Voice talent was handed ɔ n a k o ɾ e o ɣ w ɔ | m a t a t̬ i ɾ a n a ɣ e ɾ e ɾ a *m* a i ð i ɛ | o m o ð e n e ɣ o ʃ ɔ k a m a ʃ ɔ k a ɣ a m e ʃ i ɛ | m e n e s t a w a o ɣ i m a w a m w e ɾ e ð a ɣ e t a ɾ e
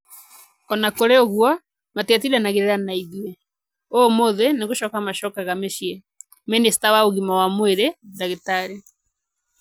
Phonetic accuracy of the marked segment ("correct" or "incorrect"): incorrect